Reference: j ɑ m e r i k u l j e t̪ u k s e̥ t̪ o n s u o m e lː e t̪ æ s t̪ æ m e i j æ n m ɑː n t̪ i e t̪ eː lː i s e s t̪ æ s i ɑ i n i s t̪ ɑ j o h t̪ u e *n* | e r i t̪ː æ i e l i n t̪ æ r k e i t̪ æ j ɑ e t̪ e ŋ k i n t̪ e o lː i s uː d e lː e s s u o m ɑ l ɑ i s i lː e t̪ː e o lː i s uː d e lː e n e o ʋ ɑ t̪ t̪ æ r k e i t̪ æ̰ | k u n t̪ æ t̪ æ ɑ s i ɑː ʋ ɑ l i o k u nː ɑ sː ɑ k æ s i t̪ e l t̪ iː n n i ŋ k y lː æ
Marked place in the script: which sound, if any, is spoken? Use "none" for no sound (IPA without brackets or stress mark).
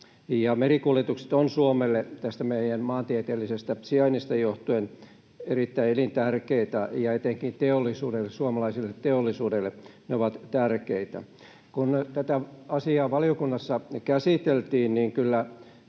n